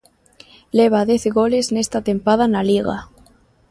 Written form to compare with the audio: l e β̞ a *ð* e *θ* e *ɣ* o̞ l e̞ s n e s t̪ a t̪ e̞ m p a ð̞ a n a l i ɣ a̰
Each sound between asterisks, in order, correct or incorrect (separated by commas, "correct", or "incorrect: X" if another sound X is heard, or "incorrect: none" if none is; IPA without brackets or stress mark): correct, correct, correct